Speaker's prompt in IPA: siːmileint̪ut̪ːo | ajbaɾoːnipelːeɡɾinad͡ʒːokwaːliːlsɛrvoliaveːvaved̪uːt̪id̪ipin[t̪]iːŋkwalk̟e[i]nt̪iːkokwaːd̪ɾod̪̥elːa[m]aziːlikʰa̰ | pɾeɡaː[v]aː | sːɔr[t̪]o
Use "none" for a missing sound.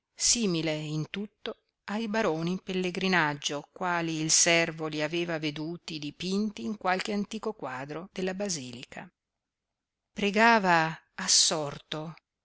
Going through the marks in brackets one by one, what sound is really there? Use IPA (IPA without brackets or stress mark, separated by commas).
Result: t̪, a, b, v, t̪